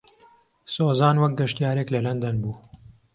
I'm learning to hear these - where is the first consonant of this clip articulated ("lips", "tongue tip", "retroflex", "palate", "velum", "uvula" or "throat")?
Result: tongue tip